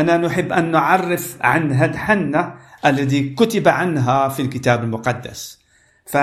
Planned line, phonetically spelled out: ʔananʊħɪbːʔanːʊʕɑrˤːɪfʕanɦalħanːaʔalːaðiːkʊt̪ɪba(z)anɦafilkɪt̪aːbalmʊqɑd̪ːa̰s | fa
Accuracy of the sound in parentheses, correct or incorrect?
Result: incorrect